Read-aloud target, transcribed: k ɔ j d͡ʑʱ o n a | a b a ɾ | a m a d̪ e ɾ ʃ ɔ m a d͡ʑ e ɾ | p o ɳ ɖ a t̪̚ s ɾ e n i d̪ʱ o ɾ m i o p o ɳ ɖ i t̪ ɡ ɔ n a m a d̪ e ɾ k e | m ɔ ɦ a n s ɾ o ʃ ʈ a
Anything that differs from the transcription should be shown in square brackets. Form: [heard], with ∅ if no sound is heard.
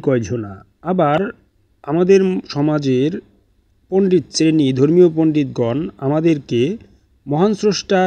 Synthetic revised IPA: k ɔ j d͡ʑʱ o n a | a b a ɾ | a m a d̪ e ɾ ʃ ɔ m a d͡ʑ e ɾ | p o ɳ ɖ [i] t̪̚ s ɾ e n i d̪ʱ o ɾ m i o p o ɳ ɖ i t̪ ɡ ɔ n a m a d̪ e ɾ k e | m ɔ ɦ a n s ɾ o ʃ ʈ a

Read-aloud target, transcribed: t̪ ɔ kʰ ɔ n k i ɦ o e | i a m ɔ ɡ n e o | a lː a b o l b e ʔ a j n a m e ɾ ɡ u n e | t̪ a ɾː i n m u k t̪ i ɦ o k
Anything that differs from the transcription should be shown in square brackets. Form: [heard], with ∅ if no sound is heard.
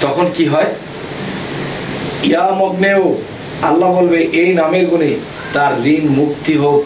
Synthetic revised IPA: t̪ ɔ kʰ [o] n k i ɦ [ɔ] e | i a m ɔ ɡ n e o | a lː a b o l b e ʔ [e] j n a m e ɾ ɡ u n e | t̪ a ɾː i n m u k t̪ i ɦ o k

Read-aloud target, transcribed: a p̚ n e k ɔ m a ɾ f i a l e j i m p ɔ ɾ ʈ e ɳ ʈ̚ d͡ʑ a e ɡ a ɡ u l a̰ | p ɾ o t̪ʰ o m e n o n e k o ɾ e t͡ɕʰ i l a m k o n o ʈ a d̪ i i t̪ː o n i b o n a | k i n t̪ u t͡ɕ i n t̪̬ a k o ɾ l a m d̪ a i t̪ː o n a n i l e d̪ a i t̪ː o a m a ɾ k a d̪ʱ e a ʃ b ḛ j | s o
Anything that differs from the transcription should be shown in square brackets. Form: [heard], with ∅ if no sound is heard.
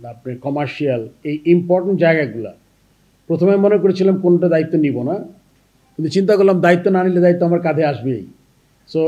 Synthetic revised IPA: a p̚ n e k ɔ m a ɾ [ʃ] i a l e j i m p ɔ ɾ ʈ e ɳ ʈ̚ d͡ʑ a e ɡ a ɡ u l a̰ | p ɾ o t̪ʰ o m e [m] o n e k o ɾ e t͡ɕʰ i l a m k o n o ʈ a d̪ [a] i t̪ː o n i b o n a | k i n t̪ u t͡ɕ i n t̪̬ a k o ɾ l a m d̪ a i t̪ː o n a n i l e d̪ a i t̪ː o a m a ɾ k a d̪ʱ e a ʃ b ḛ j | s o

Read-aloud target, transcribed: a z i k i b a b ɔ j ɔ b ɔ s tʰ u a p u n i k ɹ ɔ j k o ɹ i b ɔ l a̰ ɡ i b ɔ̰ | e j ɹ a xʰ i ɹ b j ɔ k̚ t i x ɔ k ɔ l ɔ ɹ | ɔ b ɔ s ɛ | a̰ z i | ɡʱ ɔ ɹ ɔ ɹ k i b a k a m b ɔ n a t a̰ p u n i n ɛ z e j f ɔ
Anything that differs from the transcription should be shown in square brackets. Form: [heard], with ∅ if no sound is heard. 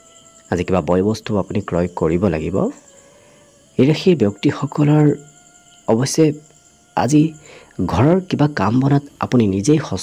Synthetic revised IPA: a z i k i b a b ɔ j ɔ b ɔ s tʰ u a p u n i k ɹ ɔ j k o ɹ i b ɔ l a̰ ɡ i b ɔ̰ | e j ɹ a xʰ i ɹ b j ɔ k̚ t i x ɔ k ɔ l ɔ ɹ | ɔ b ɔ s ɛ | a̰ z i | ɡʱ ɔ ɹ ɔ ɹ k i b a k a m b ɔ n a t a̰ p u n i n [i] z e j [x] ɔ

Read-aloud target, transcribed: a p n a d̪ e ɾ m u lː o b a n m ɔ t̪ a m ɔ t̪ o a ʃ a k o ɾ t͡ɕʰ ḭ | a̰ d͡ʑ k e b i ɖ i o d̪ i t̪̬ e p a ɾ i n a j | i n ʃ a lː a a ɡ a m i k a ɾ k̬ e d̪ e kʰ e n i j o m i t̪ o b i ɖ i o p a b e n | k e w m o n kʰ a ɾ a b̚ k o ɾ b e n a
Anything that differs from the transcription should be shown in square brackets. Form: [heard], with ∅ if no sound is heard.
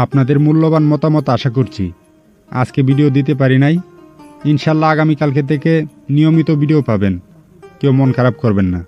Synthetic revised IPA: a p n a d̪ e ɾ m u lː o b a n m ɔ t̪ a m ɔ t̪ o a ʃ a k o ɾ t͡ɕʰ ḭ | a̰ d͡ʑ k e b i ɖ i o d̪ i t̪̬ e p a ɾ i n a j | i n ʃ a lː a a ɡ a m i k a [l] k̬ e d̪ e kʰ e n i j o m i t̪ o b i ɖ i o p a b e n | k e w m o n kʰ a ɾ a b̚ k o ɾ b e [nː] a

